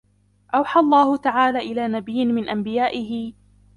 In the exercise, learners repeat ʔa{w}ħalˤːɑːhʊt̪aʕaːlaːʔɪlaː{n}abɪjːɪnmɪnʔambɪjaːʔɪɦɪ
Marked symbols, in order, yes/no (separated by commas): yes, yes